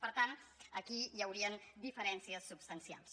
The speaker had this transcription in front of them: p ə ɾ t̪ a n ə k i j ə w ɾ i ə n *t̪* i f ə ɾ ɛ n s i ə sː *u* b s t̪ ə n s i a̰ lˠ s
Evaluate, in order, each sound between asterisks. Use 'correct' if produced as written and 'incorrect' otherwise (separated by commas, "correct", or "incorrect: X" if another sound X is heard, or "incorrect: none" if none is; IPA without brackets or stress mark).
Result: incorrect: d̪, correct